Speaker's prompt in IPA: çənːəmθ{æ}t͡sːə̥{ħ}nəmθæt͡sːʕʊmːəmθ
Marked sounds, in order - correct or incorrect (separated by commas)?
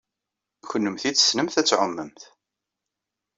incorrect, incorrect